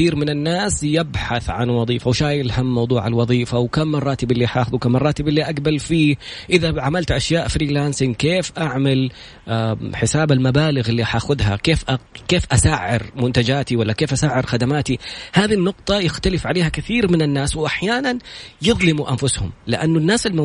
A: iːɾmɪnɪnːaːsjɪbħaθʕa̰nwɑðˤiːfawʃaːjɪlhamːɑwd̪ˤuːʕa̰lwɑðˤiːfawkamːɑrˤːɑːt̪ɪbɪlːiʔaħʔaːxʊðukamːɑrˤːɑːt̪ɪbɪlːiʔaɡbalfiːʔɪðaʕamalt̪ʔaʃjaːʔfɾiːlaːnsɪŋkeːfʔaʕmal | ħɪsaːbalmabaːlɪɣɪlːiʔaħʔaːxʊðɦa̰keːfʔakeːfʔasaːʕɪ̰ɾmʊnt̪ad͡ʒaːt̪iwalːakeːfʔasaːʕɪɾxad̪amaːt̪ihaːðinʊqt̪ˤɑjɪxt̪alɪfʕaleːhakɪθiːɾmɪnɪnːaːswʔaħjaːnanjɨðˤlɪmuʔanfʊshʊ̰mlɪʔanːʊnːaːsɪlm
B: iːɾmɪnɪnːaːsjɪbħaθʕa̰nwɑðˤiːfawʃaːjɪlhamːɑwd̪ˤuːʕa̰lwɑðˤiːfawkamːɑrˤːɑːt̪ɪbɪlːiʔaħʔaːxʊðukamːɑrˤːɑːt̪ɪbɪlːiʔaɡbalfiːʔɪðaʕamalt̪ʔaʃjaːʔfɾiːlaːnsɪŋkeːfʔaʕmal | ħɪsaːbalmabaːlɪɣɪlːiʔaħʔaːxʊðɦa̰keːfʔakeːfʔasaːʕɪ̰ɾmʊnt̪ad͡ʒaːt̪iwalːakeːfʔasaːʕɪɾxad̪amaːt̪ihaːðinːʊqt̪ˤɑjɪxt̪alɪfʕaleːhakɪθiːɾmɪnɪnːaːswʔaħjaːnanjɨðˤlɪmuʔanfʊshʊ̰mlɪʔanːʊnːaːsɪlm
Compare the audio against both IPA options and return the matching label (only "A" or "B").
B